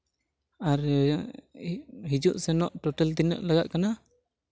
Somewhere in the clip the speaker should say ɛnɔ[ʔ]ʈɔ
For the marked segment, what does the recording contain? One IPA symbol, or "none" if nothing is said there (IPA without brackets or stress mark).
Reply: ʔ